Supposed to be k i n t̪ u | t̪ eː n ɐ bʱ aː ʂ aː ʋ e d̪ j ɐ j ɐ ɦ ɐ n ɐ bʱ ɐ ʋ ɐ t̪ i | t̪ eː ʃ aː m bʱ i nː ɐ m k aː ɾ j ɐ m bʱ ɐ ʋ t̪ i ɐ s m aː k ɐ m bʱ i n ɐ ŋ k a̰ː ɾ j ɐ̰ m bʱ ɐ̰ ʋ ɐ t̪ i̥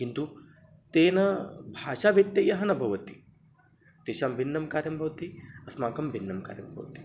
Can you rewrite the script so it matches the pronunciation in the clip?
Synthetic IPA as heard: k i n t̪ u | t̪ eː n ɐ bʱ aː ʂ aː ʋ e t̪ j ɐ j ɐ ɦ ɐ n ɐ bʱ ɐ ʋ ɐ t̪ i | t̪ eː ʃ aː m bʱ i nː ɐ m k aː ɾ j ɐ m bʱ ɐ ʋ t̪ i ɐ s m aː k ɐ m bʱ i nː ɐ m k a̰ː ɾ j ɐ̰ m bʱ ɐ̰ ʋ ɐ t̪ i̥